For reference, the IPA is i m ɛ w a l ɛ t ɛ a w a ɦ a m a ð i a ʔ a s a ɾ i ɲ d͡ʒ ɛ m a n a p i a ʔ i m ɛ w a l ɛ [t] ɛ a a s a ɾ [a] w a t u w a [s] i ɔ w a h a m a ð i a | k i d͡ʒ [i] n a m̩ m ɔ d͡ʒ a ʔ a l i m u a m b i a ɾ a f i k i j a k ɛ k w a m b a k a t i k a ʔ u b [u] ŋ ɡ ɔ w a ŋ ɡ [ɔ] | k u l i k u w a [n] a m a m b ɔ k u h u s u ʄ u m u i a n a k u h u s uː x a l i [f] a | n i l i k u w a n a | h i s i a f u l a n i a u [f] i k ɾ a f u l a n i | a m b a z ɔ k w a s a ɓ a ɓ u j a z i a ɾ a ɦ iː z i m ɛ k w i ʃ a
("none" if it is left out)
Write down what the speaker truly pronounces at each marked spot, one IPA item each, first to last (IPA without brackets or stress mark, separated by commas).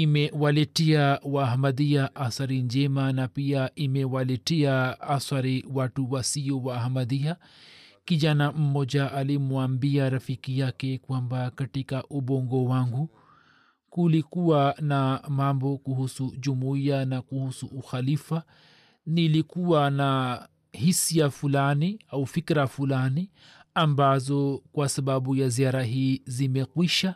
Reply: t, i, s, a, ɔ, u, n, f, f